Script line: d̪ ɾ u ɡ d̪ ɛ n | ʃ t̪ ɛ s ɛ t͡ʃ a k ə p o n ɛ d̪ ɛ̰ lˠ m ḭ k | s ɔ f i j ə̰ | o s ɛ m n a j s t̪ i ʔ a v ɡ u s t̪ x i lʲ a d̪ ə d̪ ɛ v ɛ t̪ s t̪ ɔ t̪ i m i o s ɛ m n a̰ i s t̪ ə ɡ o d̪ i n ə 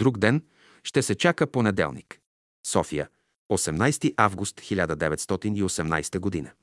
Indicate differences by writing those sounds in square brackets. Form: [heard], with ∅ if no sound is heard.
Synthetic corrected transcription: d̪ ɾ u ɡ d̪ ɛ n | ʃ t̪ ɛ s ɛ t͡ʃ a k ə p o n ɛ d̪ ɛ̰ lˠ [n] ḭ k | s ɔ f i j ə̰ | o s ɛ m n a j s t̪ i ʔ a v ɡ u s t̪ x i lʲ a d̪ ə d̪ ɛ v ɛ t̪ s t̪ ɔ t̪ i [n] i o s ɛ m n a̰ [j] s t̪ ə ɡ o d̪ i n ə